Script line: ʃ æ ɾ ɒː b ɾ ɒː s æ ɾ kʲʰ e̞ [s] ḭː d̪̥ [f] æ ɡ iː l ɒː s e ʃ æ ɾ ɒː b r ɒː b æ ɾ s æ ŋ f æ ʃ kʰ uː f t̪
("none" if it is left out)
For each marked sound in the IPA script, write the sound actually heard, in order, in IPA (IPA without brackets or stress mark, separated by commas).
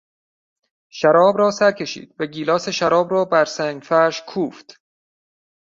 ʃ, v